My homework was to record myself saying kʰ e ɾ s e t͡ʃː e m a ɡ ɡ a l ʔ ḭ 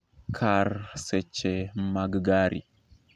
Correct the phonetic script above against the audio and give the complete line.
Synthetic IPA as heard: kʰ a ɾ s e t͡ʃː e m a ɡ ɡ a ɾ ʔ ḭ